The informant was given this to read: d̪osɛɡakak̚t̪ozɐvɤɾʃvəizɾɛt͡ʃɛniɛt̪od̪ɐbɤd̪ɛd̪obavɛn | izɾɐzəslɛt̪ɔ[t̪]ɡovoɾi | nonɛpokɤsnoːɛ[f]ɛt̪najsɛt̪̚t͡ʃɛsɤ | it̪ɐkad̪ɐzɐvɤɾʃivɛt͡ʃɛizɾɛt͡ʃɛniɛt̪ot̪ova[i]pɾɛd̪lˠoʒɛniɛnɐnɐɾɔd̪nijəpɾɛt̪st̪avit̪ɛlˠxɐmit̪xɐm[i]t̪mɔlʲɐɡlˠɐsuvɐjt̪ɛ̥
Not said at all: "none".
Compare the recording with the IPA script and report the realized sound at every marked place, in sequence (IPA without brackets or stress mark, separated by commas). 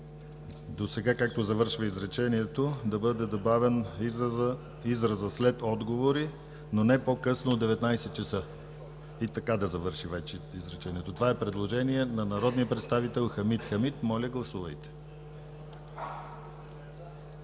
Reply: d̪, v, ɛ, i